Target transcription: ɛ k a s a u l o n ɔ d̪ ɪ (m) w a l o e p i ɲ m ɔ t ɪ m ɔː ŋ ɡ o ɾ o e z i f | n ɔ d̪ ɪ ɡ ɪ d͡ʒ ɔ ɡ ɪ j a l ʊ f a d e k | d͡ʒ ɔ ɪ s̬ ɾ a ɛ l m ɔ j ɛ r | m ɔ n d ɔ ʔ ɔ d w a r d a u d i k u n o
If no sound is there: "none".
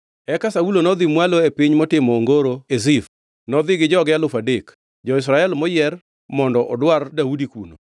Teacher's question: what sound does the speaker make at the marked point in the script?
m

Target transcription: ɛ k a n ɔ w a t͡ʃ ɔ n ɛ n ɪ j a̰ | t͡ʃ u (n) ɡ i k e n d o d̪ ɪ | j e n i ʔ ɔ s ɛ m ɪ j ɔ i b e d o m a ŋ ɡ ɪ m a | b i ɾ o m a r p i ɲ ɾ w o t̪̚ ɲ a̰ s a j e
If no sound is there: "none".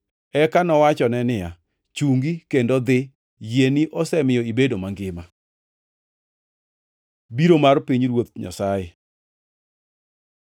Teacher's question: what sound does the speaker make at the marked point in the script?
ŋ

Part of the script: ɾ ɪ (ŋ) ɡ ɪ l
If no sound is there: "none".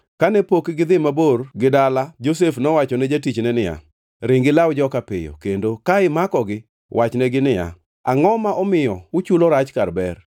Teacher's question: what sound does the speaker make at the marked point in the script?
ŋ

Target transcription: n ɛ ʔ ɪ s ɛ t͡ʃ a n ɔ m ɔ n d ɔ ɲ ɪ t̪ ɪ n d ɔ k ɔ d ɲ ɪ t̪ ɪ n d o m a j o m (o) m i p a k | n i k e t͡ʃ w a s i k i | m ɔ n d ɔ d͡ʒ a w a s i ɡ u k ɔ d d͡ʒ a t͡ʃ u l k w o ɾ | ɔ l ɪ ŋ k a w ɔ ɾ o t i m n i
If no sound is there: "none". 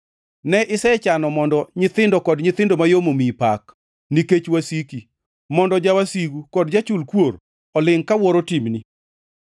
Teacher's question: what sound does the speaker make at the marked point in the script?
o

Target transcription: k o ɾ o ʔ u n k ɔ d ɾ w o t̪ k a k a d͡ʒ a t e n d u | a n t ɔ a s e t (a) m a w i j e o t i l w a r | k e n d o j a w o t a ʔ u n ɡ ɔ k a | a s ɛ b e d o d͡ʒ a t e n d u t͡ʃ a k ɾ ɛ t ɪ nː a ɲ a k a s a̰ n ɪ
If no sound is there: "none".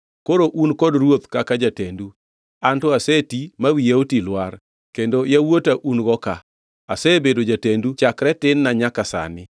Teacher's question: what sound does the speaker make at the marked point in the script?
i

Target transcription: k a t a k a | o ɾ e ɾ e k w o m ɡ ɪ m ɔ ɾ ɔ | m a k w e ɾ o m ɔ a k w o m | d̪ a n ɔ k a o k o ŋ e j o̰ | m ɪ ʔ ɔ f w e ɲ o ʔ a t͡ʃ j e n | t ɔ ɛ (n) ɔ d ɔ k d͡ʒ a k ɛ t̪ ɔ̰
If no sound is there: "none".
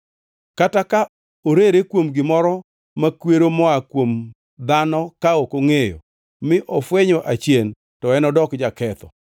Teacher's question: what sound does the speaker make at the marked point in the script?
n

